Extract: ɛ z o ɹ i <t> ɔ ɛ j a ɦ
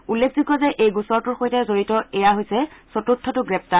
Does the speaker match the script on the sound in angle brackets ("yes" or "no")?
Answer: yes